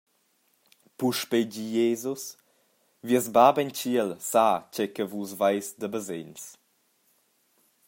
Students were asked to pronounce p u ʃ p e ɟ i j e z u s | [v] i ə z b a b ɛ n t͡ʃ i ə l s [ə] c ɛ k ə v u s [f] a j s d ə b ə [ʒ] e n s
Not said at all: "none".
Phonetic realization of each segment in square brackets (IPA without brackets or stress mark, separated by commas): v, a, v, z